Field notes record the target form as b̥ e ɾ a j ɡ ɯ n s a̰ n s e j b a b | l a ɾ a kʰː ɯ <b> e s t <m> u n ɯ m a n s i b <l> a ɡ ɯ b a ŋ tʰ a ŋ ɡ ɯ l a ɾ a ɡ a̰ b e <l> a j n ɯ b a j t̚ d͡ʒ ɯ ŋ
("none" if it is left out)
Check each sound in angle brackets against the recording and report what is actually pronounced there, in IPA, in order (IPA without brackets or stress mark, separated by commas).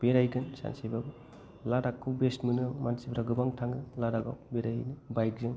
b, m, ɾ, ɾ